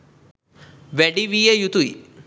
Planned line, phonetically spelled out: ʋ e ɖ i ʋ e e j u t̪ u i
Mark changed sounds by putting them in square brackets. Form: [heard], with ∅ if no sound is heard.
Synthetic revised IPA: ʋ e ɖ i ʋ [i] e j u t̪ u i